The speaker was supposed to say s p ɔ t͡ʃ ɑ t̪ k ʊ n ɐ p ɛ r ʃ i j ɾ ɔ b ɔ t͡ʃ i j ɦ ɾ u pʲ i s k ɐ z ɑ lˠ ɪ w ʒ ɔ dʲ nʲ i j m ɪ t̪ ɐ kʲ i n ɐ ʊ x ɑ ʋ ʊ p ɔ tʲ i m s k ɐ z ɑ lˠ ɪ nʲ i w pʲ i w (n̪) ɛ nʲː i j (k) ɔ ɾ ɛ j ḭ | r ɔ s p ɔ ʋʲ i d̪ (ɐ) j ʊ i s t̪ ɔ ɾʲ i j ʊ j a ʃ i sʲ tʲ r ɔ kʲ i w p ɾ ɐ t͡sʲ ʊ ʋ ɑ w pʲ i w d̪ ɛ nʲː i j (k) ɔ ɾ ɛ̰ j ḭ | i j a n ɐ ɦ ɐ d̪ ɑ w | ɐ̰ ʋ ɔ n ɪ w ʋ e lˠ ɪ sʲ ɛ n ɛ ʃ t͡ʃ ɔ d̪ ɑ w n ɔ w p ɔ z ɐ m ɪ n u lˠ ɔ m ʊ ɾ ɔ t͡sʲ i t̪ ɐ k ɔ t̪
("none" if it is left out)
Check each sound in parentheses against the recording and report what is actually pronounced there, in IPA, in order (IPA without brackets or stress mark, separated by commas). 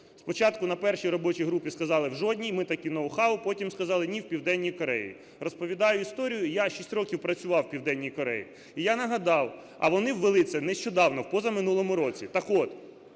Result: d̪, k, ɑ, k